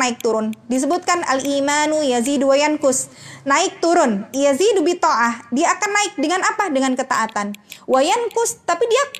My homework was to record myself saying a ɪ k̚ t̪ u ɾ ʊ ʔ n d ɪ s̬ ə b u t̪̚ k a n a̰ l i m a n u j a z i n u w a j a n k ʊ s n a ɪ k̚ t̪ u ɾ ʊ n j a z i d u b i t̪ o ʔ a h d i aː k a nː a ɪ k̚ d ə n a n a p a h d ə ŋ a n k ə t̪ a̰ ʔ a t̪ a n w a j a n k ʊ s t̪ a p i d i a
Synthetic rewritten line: a ɪ k̚ t̪ u ɾ ʊ n d i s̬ ə b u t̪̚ k a n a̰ l i m a n u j a z i d u w a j a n k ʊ s n a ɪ k̚ t̪ u ɾ ʊ n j a z i d u b i t̪ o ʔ a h d i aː k a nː a ɪ k̚ d ə ŋ a n a p a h d ə ŋ a n k ə t̪ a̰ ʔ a t̪ a n w a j a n k ʊ s t̪ a p i d i a